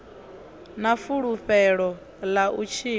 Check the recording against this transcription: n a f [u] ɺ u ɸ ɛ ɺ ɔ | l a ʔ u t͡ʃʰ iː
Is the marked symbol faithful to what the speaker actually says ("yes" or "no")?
yes